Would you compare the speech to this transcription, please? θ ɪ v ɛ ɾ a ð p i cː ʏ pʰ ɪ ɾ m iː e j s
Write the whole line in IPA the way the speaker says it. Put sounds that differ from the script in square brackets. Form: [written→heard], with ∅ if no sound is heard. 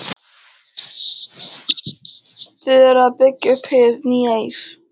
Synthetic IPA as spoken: θ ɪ [v→ð] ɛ ɾ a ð p [i→ɪ] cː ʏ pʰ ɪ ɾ [m→n] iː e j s